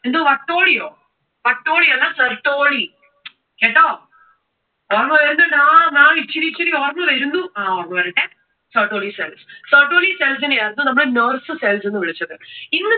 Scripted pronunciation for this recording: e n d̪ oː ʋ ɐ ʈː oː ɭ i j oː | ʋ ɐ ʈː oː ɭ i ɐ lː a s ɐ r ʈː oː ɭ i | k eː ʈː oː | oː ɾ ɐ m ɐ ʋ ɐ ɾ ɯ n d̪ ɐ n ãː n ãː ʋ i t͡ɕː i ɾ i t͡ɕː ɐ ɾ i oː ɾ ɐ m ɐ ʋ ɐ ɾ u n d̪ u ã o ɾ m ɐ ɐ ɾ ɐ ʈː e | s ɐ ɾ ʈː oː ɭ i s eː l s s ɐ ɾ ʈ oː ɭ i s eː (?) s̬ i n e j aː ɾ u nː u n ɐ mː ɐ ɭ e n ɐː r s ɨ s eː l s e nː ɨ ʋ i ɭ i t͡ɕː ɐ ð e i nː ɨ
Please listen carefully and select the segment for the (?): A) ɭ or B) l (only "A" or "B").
B